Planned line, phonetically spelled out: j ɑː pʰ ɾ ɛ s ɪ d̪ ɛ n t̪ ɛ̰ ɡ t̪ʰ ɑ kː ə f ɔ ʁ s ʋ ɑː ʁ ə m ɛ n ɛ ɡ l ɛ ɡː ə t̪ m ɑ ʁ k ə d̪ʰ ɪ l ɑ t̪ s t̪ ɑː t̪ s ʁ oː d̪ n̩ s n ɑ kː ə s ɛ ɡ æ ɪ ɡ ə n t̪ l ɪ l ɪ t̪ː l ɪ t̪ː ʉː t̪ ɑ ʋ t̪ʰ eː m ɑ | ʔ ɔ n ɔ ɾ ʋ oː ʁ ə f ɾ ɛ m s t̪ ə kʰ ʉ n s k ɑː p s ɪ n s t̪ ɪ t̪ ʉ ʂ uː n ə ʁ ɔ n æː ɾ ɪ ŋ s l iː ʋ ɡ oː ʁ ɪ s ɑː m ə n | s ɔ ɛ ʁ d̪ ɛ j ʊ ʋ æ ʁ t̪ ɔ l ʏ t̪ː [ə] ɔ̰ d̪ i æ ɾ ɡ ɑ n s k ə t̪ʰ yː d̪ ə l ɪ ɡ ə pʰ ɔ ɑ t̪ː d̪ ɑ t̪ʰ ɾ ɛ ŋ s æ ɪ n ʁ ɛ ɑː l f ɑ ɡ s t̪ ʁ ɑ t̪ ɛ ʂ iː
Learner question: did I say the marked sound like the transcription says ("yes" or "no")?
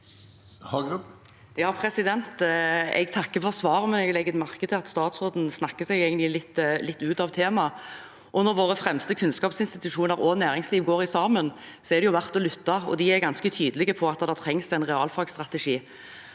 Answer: no